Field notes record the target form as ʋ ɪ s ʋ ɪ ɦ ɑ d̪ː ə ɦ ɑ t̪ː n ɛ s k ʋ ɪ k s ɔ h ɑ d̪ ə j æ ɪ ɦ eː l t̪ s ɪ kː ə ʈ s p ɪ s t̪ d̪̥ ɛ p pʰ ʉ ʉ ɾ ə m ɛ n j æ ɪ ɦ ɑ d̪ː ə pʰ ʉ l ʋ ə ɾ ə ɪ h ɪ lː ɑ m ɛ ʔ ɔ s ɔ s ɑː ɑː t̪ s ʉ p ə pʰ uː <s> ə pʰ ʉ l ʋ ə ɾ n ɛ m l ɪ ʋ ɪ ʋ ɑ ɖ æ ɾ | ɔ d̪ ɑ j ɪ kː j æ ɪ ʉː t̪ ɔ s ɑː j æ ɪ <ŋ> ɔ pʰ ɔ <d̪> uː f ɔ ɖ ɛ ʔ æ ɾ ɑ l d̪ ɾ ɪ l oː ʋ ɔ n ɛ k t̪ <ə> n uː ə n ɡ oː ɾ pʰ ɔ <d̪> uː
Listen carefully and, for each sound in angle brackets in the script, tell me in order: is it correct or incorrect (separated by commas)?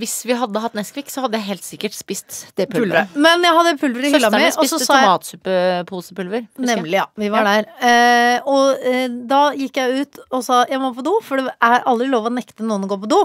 correct, incorrect, correct, correct, correct